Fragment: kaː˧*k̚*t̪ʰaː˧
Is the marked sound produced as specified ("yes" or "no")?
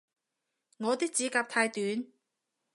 no